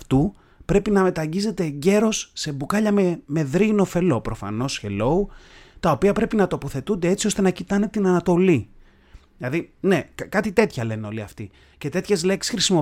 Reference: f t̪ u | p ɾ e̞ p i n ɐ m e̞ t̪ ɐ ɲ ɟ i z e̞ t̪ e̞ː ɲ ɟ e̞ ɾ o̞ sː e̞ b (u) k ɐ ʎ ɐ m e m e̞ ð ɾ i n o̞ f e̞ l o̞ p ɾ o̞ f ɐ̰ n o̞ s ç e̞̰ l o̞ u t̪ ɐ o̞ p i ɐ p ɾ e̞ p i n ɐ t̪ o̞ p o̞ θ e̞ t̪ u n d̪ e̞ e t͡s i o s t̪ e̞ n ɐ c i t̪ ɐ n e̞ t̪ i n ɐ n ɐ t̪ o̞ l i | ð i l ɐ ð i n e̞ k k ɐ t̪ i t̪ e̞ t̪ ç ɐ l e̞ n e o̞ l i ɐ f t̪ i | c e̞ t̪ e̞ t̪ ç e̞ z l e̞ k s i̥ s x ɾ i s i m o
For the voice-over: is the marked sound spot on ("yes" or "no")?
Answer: yes